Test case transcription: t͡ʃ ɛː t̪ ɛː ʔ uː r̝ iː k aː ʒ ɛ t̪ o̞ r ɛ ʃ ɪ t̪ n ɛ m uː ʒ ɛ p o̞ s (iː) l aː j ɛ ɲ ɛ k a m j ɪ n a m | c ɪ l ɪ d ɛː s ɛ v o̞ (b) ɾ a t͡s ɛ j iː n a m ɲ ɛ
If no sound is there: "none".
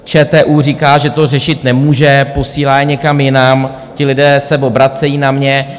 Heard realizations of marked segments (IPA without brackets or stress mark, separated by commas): iː, b